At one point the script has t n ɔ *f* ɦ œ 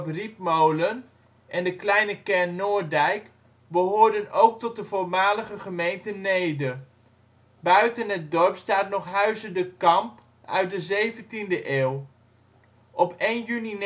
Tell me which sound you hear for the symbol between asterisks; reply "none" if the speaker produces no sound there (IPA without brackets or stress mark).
χ